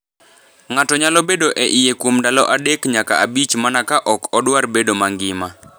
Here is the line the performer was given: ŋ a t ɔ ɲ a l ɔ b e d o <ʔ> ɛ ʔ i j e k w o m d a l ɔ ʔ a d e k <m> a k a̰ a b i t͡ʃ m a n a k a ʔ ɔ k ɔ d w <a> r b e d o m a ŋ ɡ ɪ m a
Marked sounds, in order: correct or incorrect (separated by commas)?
correct, incorrect, correct